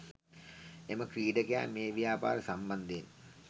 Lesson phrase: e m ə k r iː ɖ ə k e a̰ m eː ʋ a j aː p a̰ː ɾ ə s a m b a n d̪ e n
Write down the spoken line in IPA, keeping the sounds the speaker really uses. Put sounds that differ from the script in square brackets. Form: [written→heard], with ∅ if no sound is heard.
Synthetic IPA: e m ə k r iː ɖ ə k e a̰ m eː ʋ [a→i] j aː p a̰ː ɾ ə s a m b a n d̪ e n

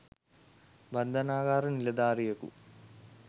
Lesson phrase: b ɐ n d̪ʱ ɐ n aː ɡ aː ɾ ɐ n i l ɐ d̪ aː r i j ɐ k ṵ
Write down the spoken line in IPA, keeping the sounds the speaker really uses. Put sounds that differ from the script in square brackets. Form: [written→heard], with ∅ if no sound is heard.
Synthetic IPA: b ɐ n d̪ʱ ɐ n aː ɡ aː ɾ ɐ n i l ɐ d̪ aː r i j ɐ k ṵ

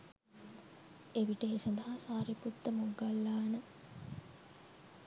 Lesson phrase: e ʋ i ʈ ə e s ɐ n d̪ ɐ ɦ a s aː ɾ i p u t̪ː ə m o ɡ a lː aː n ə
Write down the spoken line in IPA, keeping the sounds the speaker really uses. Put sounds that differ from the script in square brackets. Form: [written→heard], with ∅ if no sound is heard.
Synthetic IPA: e ʋ i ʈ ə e s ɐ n d̪ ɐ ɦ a s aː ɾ i p u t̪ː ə m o ɡ a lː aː n ə

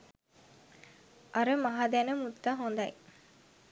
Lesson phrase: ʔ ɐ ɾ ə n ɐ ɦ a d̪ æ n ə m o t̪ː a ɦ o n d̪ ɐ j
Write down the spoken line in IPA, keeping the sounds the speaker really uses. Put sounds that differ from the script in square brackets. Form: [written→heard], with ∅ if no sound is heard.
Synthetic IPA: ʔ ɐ ɾ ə [n→m] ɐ ɦ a d̪ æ n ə m [o→u] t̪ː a ɦ o n d̪ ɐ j

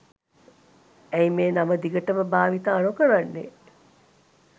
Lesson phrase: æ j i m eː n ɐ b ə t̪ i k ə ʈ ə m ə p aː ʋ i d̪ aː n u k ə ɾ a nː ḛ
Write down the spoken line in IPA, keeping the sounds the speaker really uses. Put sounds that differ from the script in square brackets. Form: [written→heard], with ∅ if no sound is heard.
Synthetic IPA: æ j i m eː n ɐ [b→m] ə [t̪→d̪] i [k→ɡ] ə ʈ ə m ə [p→b] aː ʋ i [d̪→t̪] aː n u k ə ɾ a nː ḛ

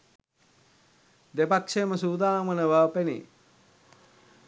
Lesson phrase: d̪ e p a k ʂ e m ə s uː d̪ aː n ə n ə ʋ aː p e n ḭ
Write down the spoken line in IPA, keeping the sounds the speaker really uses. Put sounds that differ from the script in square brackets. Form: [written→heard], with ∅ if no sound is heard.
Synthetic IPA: d̪ e p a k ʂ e m ə s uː d̪ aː [n→m] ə n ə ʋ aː p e n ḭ

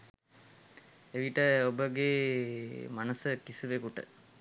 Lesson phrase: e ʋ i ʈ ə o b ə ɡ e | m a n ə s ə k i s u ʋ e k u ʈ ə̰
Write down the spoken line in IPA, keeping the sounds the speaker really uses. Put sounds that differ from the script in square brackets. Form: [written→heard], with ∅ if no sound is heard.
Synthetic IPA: e ʋ i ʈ ə o b ə ɡ e | m a n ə s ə k i s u ʋ e k u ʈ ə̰

